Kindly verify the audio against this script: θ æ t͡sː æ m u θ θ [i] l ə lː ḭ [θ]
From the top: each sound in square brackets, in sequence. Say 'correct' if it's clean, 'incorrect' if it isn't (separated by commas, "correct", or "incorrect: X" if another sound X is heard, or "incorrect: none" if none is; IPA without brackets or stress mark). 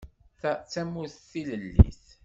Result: correct, correct